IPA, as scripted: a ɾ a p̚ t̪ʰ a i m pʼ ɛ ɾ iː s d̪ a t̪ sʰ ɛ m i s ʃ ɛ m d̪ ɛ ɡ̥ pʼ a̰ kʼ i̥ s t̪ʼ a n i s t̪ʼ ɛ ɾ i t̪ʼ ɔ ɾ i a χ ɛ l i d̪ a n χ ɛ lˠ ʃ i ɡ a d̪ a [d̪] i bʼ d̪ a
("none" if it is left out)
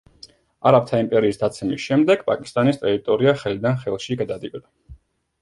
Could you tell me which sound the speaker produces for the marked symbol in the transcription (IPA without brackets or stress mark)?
d̪